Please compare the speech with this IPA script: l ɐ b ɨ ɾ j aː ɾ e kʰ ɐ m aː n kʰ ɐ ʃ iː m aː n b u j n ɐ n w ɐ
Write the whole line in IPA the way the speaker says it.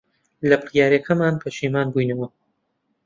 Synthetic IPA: l ɐ b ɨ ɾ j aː ɾ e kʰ ɐ m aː n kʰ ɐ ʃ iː m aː n b u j n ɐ w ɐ

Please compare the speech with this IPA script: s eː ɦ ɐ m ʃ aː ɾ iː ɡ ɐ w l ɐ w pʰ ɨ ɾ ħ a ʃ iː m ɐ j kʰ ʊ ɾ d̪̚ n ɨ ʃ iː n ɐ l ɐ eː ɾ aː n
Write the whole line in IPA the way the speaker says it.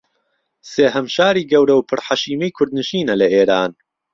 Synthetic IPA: s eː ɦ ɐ m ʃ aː ɾ iː ɡ ɐ w ɾ ɐ w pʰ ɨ ɾ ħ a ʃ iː m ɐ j kʰ ʊ ɾ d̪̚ n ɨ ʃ iː n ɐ l ɐ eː ɾ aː n

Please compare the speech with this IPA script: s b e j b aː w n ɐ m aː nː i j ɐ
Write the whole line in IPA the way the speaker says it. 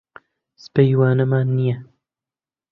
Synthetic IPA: s p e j w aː n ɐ m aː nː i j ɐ

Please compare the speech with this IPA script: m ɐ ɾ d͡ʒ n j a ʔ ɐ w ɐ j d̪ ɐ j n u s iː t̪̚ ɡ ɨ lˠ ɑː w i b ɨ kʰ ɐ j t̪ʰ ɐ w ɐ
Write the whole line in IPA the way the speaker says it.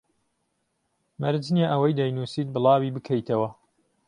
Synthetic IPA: m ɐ ɾ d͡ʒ n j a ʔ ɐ w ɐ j d̪ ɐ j n u s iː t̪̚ b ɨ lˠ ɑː w i b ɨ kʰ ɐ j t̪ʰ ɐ w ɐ

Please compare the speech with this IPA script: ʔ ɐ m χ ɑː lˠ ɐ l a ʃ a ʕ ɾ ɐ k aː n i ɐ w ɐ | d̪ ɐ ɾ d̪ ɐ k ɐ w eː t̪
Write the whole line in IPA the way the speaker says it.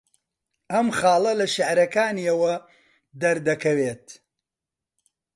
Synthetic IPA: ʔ ɐ m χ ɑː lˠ ɐ l ɐ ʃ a ʕ ɾ ɐ k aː n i ɐ w ɐ | d̪ ɐ ɾ d̪ ɐ k ɐ w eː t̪

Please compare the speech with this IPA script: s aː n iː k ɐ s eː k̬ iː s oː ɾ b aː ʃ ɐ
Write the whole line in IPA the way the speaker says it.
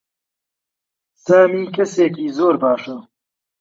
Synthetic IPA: s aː m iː k ɐ s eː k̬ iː z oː ɾ b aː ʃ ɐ

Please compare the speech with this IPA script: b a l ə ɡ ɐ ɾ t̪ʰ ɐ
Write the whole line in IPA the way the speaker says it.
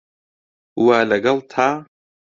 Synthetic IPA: w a l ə ɡ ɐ l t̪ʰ a

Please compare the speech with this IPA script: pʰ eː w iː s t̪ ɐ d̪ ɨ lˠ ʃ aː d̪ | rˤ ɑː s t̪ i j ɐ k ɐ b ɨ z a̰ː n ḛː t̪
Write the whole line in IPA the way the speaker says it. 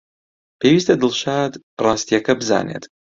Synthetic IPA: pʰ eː w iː s t̪ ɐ d̪ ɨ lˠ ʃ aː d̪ | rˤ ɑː s t̪ i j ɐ k ɐ b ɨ z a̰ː n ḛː t̪

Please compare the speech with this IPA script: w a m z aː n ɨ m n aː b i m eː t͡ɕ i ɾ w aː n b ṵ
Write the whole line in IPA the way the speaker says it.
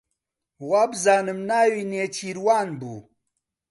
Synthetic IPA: w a b z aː n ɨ m n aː w i n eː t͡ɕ i ɾ w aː n b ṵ

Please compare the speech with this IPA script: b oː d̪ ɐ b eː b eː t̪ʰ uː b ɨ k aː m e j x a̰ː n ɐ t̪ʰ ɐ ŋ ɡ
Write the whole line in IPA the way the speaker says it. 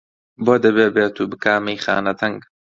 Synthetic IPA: b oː d̪ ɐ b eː b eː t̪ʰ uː b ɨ k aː m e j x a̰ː n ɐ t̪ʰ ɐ ŋ ɡ

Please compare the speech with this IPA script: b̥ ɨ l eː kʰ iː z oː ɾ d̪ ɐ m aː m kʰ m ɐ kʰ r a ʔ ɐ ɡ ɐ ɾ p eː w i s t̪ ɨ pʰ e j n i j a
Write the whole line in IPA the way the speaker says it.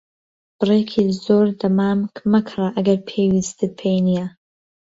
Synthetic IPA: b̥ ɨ r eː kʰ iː z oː ɾ d̪ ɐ m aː m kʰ m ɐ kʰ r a ʔ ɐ ɡ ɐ ɾ pʰ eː w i s t̪ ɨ pʰ e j n i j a

